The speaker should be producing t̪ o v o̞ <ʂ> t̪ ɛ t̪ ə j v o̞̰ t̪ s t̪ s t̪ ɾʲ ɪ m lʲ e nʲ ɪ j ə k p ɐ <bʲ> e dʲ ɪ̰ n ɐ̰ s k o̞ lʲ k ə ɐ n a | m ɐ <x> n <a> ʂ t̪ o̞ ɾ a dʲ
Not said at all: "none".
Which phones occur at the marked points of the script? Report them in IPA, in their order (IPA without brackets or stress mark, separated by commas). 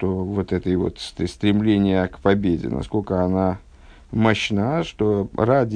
none, bʲ, ɕ, a